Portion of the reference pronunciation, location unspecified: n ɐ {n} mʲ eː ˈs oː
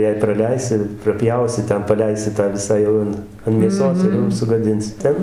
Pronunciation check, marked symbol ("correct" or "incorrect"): correct